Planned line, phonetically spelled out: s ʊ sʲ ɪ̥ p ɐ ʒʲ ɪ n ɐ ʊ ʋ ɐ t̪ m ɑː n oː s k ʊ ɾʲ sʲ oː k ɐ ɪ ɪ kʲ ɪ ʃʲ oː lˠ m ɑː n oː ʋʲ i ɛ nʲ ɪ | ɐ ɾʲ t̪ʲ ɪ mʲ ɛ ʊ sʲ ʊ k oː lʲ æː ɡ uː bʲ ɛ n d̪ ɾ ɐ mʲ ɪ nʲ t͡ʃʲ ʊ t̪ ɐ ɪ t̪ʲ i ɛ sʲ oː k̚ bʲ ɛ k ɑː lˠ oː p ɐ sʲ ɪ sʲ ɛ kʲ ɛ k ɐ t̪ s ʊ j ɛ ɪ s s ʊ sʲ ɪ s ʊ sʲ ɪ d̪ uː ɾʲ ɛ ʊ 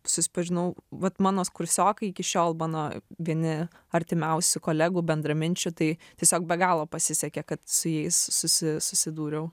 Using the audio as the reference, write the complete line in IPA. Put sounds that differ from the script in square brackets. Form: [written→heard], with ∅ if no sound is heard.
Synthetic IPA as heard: s ʊ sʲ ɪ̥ p ɐ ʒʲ ɪ n ɐ ʊ ʋ ɐ t̪ m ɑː n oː s k ʊ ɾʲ sʲ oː k ɐ ɪ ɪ kʲ ɪ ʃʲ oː lˠ m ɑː n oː ʋʲ i ɛ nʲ ɪ | ɐ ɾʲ t̪ʲ ɪ mʲ ɛ ʊ sʲ ʊ k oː lʲ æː ɡ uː bʲ ɛ n d̪ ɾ ɐ mʲ ɪ nʲ t͡ʃʲ ʊ t̪ ɐ ɪ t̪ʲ i ɛ sʲ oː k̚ bʲ ɛ [k→ɡ] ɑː lˠ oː p ɐ sʲ ɪ sʲ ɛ kʲ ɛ k ɐ t̪ s ʊ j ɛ ɪ s s ʊ sʲ ɪ s ʊ sʲ ɪ d̪ uː ɾʲ ɛ ʊ